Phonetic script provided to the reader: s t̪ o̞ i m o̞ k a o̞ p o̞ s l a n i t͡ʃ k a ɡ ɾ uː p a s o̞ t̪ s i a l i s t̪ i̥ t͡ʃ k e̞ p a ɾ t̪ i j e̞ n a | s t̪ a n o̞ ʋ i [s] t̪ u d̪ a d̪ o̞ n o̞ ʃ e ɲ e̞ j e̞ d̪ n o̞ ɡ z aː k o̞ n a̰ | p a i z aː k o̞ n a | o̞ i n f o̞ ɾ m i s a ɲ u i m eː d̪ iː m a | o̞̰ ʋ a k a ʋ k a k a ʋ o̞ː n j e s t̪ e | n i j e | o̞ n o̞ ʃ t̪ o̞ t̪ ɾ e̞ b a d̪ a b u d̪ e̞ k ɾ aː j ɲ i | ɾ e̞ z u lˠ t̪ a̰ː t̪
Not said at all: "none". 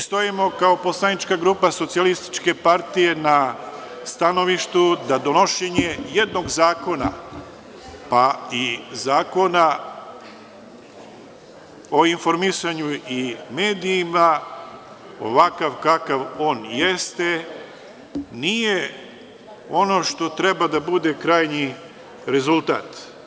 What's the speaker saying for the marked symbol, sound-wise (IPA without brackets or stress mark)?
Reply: ʃ